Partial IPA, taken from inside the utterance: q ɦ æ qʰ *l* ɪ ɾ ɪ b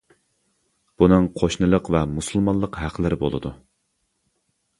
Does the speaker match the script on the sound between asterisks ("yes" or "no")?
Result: yes